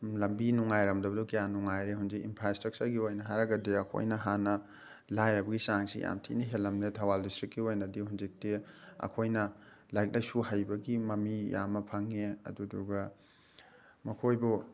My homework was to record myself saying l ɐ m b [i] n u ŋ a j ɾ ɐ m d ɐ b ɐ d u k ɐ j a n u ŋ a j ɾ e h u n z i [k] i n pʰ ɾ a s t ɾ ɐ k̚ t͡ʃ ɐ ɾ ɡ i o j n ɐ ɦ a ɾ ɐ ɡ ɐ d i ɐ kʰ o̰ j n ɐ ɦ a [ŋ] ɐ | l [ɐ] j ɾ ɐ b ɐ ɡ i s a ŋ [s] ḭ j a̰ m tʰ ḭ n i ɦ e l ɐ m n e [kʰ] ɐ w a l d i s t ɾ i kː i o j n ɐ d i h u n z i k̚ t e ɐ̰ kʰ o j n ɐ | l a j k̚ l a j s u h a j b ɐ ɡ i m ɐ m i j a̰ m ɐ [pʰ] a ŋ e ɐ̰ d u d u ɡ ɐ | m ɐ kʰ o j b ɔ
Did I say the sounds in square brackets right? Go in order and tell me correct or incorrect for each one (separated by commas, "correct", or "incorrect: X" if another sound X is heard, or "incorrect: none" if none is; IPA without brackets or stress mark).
correct, correct, incorrect: n, incorrect: a, correct, incorrect: tʰ, correct